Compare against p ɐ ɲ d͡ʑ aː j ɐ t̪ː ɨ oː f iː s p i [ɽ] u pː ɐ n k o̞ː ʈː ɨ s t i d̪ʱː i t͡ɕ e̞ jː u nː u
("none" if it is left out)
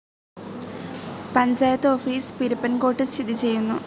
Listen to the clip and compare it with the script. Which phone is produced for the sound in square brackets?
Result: ɾ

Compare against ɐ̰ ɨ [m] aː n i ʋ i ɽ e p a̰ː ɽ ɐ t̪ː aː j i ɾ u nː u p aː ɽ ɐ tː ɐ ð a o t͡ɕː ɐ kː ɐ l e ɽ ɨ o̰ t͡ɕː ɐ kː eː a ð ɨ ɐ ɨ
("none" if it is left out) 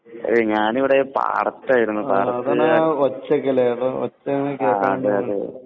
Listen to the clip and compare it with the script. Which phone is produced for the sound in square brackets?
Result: ɲ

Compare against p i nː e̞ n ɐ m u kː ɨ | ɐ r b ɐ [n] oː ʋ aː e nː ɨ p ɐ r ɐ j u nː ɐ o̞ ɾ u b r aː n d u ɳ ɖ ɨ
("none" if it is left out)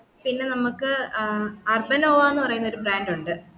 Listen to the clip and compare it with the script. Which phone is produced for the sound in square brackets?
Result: n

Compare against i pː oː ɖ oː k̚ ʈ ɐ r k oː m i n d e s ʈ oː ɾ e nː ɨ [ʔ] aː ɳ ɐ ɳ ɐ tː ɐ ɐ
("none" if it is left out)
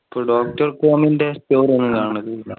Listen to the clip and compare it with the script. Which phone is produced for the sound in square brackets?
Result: k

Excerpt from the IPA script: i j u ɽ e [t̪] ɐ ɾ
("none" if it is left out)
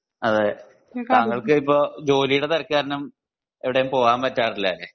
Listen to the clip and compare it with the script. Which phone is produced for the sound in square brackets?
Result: t̪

